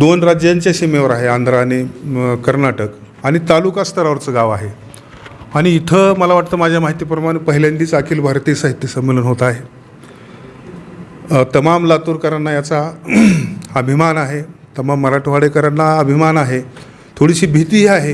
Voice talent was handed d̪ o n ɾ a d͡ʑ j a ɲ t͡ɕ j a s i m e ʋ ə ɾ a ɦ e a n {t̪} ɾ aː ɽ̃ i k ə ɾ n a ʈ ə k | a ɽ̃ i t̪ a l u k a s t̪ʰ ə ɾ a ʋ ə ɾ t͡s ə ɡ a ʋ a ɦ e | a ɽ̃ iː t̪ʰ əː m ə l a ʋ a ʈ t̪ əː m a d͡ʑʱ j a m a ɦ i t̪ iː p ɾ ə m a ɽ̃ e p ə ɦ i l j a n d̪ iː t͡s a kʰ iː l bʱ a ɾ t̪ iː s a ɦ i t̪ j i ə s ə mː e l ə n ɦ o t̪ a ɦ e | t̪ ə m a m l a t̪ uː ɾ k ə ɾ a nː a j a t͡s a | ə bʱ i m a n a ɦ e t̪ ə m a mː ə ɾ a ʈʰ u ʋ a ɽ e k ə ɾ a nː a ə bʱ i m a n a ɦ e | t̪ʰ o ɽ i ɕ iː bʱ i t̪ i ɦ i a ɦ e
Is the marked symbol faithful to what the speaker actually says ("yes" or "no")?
no